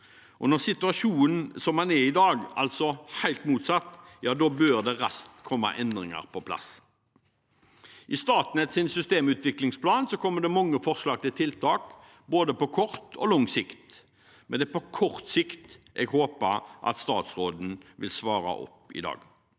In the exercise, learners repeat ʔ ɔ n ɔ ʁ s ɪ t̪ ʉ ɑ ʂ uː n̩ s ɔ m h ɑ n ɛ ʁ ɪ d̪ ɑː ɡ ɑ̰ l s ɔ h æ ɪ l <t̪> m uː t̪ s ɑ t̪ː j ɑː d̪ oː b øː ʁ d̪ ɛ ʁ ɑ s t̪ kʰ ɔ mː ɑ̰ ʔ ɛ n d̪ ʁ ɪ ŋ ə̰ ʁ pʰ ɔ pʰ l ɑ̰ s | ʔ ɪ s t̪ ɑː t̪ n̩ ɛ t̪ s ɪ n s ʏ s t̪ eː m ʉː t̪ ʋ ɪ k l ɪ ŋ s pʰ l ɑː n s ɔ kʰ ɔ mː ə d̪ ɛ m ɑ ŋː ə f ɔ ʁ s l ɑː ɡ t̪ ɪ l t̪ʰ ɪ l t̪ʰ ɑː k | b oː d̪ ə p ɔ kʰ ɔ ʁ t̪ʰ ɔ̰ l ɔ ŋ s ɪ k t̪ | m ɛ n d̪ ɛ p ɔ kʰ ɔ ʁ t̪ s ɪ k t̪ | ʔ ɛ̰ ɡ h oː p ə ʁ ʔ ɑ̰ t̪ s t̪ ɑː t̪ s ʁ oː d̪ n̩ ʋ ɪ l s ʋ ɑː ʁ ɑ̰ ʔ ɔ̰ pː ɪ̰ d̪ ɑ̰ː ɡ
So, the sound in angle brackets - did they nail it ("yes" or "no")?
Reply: yes